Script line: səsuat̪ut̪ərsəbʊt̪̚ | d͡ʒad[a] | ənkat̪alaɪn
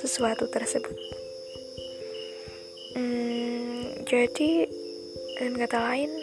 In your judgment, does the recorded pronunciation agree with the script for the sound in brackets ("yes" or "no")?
no